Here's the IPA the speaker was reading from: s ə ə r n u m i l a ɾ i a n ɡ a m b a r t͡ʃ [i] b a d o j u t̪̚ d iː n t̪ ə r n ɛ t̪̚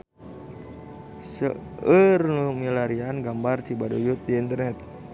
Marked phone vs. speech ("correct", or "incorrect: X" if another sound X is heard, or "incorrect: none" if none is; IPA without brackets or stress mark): correct